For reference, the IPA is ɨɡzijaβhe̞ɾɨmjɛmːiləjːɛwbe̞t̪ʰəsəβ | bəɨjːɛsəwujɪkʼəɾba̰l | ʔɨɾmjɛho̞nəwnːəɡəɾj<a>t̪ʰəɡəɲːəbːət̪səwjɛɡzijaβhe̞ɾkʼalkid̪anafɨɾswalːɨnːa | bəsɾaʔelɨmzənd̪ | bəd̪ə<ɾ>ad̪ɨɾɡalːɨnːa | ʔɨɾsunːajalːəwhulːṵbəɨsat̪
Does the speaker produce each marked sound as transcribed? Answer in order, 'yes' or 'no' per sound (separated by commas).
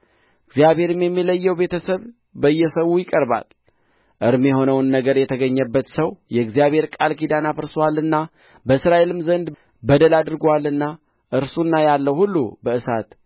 no, no